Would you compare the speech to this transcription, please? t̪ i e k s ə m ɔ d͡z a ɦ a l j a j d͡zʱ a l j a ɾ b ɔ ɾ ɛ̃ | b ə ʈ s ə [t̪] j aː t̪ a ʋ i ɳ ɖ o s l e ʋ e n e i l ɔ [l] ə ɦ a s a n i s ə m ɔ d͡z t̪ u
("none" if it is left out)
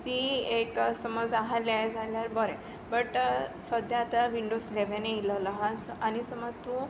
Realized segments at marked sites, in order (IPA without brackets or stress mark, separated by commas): d̪, l